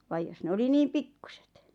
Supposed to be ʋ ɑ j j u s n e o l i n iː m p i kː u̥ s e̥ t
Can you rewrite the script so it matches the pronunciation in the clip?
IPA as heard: ʋ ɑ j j o s n e o l i n iː m p i kː u̥ s e̥ t